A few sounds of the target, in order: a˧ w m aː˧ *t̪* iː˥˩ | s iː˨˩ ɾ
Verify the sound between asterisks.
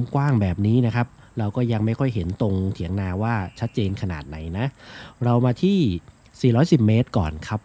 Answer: incorrect: t̪ʰ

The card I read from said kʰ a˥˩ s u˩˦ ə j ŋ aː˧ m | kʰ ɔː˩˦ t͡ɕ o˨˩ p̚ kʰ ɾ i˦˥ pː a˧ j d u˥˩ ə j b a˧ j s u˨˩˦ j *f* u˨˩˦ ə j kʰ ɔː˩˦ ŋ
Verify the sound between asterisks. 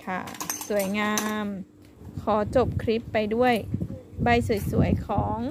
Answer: incorrect: s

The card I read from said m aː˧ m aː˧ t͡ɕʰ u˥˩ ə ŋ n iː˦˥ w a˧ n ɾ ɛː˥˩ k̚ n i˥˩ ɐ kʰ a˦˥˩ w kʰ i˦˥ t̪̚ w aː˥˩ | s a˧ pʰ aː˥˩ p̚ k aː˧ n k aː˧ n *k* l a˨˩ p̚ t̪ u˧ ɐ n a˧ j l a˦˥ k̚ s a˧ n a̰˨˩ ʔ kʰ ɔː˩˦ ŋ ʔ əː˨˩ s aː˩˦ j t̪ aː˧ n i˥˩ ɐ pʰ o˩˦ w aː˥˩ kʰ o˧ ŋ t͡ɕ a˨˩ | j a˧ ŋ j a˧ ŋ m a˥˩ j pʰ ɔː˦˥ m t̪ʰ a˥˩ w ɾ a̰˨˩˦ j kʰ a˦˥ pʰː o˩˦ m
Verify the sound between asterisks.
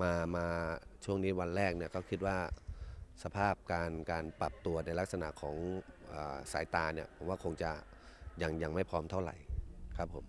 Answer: incorrect: p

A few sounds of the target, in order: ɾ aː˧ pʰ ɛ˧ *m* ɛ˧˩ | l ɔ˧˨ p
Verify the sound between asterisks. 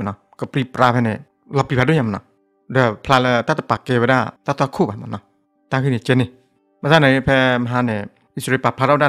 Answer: incorrect: n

